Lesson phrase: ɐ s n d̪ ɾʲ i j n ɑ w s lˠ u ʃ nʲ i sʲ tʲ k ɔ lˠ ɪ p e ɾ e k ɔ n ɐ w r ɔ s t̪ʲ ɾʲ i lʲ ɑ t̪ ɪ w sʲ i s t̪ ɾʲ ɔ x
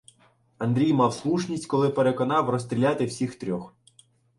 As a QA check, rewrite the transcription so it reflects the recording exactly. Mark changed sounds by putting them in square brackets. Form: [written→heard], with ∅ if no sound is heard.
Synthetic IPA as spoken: ɐ [s→∅] n d̪ ɾʲ i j [n→m] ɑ w s lˠ u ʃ nʲ i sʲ tʲ k ɔ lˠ ɪ p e ɾ e k ɔ n [ɐ→ɑ] w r ɔ s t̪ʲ ɾʲ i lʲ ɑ t̪ ɪ w sʲ i [s→x] t̪ ɾʲ ɔ x